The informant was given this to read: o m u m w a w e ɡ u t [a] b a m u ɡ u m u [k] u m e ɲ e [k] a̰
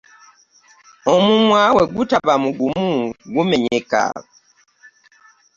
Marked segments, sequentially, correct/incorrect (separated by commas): correct, incorrect, correct